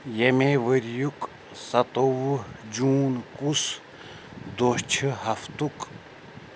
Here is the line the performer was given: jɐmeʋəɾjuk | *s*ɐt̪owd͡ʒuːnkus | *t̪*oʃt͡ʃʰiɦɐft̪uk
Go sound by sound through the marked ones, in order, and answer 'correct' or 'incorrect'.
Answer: correct, incorrect

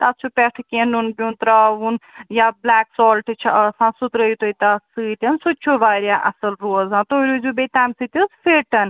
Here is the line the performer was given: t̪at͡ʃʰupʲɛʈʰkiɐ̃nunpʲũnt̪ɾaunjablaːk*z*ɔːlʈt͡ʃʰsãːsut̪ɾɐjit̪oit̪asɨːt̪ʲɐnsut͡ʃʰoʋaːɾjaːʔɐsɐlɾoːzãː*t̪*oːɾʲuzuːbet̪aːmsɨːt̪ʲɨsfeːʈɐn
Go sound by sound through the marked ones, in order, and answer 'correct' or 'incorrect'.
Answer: incorrect, correct

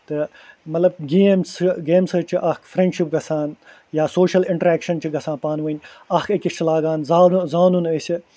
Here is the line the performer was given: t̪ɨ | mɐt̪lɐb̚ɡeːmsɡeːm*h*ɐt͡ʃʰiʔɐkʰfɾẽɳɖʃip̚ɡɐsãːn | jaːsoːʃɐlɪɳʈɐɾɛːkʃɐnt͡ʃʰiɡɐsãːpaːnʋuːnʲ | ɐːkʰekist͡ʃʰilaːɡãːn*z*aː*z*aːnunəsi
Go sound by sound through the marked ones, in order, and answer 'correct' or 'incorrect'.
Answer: incorrect, correct, correct

